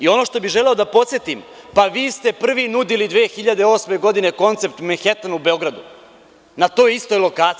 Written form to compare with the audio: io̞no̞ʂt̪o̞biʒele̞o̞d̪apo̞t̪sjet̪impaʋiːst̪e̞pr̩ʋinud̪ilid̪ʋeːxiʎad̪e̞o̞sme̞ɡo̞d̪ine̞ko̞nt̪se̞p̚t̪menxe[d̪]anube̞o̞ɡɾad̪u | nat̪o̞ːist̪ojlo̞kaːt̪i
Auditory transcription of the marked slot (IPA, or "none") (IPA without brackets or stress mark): t̪